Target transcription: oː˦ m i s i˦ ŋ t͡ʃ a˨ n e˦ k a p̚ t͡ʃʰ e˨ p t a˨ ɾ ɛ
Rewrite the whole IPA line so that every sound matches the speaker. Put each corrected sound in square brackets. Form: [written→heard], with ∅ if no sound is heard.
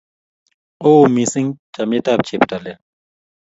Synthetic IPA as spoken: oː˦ m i s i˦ ŋ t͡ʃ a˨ [n→m] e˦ [k→t] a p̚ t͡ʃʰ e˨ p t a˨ [ɾ→l] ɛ